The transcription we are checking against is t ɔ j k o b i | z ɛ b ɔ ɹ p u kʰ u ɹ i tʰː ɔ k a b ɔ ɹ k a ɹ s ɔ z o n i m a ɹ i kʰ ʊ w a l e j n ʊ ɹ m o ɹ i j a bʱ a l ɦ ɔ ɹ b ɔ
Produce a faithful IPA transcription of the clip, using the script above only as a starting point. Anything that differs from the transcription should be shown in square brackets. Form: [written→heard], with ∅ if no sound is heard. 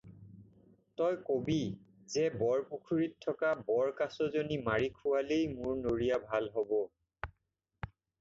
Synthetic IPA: t ɔ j k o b i | z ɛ b ɔ ɹ p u kʰ u ɹ i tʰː ɔ k a b ɔ ɹ k a [ɹ→∅] s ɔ z o n i m a ɹ i kʰ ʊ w a l e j [n→m] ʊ ɹ [m→n] o ɹ i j a bʱ a l ɦ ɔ [ɹ→∅] b ɔ